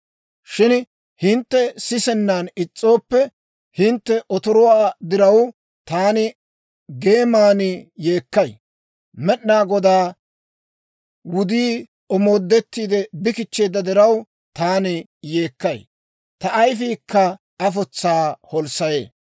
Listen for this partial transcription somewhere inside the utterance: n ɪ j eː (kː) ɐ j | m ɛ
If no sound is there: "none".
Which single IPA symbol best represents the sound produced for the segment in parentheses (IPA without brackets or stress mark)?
kː